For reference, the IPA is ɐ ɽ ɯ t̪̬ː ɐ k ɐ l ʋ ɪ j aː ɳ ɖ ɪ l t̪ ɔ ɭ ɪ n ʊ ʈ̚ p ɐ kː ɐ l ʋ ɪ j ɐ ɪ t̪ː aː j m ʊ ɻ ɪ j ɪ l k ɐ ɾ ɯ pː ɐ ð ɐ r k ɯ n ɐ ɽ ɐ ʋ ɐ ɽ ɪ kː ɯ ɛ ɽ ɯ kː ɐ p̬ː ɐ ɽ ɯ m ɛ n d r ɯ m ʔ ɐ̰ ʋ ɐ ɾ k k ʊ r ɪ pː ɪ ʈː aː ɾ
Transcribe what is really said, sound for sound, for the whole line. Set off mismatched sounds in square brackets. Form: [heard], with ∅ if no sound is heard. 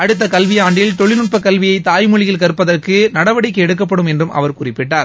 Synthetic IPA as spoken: ɐ ɽ ɯ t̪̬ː ɐ k ɐ l ʋ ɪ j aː ɳ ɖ ɪ l t̪ ɔ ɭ ɪ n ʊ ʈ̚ p ɐ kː ɐ l ʋ ɪ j ɐ ɪ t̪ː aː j m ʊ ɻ ɪ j ɪ l k ɐ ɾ ɯ pː ɐ ð ɐ r k ɯ n ɐ ɽ ɐ ʋ ɐ ɽ ɪ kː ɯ ɛ ɽ ɯ kː ɐ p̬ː ɐ ɽ ɯ m ɛ n d r ɯ m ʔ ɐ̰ ʋ ɐ ɾ k k ʊ r ɪ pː ɪ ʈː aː ɾ